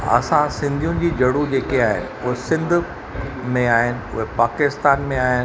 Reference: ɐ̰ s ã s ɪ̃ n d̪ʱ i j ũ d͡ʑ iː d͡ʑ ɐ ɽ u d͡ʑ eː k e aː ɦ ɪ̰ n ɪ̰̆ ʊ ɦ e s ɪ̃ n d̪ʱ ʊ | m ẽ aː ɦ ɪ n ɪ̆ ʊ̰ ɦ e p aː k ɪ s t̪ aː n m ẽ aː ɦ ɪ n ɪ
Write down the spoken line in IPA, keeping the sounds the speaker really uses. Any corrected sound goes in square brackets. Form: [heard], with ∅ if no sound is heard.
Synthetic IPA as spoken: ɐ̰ s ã s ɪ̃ n d̪ʱ i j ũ d͡ʑ iː d͡ʑ ɐ ɽ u d͡ʑ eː k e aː ɦ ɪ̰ n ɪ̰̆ ʊ ɦ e s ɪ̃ n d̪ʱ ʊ | m ẽ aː ɦ ɪ n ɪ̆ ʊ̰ ɦ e p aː k ɪ s t̪ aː n m ẽ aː ɦ ɪ n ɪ